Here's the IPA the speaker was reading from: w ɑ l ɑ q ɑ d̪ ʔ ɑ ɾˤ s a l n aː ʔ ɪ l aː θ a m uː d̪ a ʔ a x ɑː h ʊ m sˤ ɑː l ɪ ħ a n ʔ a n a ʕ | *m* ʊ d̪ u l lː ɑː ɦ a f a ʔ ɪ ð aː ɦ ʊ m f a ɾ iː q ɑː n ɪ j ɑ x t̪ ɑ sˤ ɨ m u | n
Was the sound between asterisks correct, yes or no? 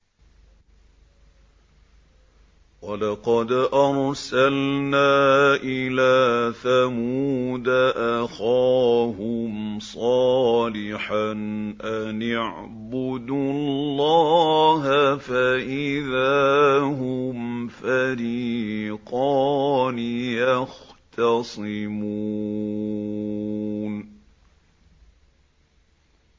no